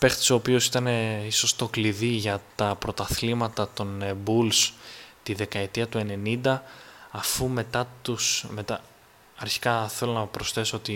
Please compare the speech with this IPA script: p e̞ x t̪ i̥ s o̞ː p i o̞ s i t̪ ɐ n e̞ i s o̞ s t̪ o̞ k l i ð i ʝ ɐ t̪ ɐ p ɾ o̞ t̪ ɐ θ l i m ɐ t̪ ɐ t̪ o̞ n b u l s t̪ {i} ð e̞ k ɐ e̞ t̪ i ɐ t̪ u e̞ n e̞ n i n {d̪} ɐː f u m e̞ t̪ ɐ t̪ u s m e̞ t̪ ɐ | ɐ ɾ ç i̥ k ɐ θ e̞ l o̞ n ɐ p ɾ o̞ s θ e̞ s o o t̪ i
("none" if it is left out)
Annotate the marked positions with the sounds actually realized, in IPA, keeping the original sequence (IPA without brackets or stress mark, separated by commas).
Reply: i, d̪